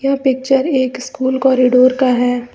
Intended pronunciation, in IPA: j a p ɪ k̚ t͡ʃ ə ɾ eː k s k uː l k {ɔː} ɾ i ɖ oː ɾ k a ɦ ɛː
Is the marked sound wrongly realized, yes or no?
no